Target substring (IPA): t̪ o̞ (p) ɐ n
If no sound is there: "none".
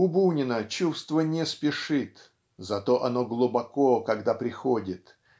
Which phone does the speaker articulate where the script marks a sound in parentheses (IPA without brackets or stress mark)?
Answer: ʔ